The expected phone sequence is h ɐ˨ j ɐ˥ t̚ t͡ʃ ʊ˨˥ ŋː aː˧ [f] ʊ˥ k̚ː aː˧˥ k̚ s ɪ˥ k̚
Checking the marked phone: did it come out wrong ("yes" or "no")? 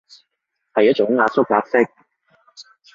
yes